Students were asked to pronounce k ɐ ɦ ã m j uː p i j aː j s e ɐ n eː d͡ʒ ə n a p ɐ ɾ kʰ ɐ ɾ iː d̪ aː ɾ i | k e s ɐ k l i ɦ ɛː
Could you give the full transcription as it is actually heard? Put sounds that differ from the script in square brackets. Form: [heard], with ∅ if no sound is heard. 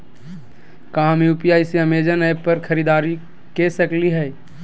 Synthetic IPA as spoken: k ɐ ɦ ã m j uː p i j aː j s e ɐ [m] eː d͡ʒ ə n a p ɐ ɾ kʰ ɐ ɾ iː d̪ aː ɾ i | k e s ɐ k l i ɦ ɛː